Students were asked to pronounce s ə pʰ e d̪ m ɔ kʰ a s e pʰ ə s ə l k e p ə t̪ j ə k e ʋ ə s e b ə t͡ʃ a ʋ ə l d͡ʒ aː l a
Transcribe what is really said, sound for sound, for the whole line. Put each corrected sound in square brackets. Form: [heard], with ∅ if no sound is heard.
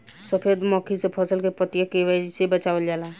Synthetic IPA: s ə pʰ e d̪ m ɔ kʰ [i] s e pʰ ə s ə l k e p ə t̪ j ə k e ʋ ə s e b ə t͡ʃ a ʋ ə l d͡ʒ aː l a